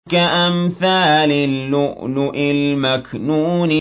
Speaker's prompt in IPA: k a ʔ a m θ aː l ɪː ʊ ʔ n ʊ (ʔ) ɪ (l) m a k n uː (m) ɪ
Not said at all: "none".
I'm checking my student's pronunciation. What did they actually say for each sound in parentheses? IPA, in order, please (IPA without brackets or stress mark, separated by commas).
ʔ, l, n